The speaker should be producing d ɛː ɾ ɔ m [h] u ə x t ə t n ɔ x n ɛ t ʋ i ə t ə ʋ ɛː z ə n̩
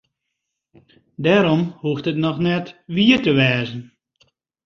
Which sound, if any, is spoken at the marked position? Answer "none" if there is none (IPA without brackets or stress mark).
h